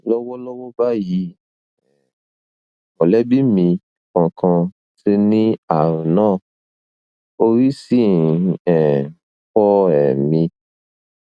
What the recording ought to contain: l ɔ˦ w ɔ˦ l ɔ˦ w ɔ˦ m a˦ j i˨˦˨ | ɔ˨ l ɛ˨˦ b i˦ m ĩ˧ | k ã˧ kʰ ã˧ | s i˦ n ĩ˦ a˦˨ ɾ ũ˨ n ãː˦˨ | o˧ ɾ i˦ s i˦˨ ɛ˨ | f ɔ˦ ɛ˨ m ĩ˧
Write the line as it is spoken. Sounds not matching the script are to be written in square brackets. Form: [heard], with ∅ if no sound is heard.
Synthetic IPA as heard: l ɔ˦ w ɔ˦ l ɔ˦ w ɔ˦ [b] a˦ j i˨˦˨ | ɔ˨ l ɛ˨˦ b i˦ m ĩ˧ | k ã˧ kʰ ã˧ | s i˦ n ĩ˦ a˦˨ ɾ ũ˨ n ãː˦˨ | o˧ ɾ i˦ s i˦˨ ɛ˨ | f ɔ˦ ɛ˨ m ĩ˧